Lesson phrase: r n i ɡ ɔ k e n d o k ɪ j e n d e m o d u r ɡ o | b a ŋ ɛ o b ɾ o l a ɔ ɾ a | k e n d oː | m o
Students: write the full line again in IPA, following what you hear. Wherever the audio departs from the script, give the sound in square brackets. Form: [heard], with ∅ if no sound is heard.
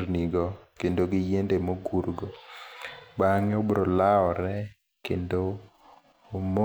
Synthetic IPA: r n i ɡ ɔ k e n d o [ɡ] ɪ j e n d e m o [ɡ] u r ɡ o | b a ŋ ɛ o b ɾ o l a ɔ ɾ [ɛ] | k e n d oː | m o